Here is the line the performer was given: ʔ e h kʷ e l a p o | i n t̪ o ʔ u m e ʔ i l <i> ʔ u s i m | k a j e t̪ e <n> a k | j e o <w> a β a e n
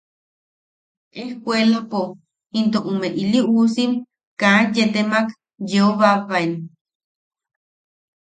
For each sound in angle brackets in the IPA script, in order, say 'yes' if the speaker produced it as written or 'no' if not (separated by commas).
yes, no, no